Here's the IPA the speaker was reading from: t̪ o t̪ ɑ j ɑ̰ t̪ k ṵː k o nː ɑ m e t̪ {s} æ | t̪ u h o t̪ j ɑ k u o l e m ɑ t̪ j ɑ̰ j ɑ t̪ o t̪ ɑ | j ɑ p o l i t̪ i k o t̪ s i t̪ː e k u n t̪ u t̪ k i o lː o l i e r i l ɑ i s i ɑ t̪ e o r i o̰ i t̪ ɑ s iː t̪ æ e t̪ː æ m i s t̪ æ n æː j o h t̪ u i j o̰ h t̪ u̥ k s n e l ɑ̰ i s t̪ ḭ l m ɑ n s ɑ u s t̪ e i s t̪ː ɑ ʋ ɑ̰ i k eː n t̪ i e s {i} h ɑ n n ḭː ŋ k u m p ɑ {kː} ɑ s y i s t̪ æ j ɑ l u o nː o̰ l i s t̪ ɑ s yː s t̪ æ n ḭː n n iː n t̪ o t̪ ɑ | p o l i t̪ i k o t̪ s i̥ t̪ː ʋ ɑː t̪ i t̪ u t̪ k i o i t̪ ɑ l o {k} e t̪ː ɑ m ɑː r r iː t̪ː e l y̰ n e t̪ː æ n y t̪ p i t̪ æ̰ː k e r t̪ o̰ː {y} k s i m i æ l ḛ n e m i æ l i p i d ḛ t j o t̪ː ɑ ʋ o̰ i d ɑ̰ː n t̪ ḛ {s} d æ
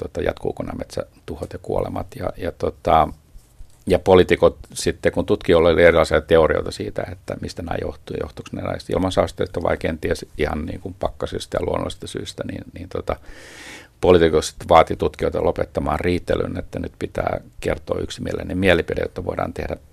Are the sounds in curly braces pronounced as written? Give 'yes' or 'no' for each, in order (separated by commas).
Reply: yes, yes, yes, no, yes, no